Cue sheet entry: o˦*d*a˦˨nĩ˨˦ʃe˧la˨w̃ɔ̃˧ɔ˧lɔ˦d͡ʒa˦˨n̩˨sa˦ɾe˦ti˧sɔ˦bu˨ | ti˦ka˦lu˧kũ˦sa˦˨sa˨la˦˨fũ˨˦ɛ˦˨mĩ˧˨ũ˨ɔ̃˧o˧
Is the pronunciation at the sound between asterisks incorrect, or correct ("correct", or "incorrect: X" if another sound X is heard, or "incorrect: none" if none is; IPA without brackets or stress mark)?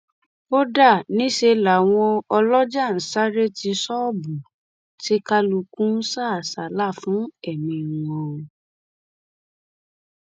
correct